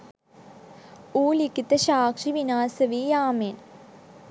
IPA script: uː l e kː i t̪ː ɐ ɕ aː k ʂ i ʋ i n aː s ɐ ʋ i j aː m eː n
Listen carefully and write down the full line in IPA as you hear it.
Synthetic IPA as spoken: uː l i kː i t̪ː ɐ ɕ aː k ʂ i ʋ i n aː s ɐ ʋ i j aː m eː n